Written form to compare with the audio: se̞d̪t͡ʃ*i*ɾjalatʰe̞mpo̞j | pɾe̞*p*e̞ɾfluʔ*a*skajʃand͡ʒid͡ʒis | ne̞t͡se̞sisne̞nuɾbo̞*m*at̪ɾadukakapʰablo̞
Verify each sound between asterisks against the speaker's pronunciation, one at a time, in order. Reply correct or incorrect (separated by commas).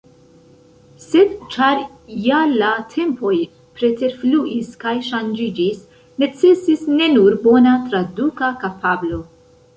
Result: incorrect, incorrect, incorrect, incorrect